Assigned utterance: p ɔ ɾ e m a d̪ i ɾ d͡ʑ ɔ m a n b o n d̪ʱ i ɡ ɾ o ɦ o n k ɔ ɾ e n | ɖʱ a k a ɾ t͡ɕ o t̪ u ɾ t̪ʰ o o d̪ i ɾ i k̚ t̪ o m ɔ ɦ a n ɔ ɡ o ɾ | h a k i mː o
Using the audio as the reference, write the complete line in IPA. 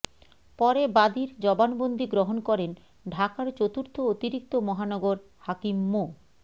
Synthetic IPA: p ɔ ɾ e b a d̪ i ɾ d͡ʑ ɔ b a n b o n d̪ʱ i ɡ ɾ o ɦ o n k ɔ ɾ e n | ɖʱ a k a ɾ t͡ɕ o t̪ u ɾ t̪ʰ o o t̪ i ɾ i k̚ t̪ o m ɔ ɦ a n ɔ ɡ o ɾ | h a k i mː o